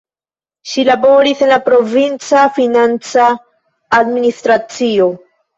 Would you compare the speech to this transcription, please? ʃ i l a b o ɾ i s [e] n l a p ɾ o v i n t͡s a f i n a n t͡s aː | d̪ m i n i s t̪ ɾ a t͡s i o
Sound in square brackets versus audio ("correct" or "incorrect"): correct